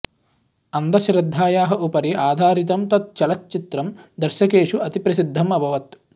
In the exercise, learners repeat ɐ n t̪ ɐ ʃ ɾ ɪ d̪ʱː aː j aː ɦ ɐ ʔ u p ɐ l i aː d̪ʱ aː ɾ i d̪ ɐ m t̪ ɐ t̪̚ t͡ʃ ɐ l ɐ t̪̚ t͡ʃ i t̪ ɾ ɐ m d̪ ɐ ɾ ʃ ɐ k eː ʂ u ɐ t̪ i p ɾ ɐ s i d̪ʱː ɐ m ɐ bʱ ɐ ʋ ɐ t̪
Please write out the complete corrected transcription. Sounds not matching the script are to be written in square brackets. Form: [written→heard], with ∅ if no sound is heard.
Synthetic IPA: ɐ n [t̪→d̪] ɐ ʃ ɾ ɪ d̪ʱː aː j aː ɦ ɐ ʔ u p ɐ [l→ɾ] i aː d̪ʱ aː ɾ i [d̪→t̪] ɐ m t̪ ɐ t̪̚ t͡ʃ ɐ l ɐ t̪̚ t͡ʃ i t̪ ɾ ɐ m d̪ ɐ ɾ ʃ ɐ k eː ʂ u ɐ t̪ i p ɾ ɐ s i d̪ʱː ɐ m ɐ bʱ ɐ ʋ ɐ t̪